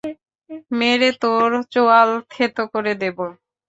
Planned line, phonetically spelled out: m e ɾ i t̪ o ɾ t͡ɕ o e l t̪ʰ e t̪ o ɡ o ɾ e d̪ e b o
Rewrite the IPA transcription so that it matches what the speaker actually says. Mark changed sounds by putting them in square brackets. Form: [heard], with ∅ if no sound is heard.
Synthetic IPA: m e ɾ [e] t̪ o ɾ t͡ɕ o [a] l t̪ʰ e t̪ o [k] o ɾ e d̪ e b o